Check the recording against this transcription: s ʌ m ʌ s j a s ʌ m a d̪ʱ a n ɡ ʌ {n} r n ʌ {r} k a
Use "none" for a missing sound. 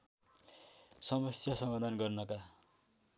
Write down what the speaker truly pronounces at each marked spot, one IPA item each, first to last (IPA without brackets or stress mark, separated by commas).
none, none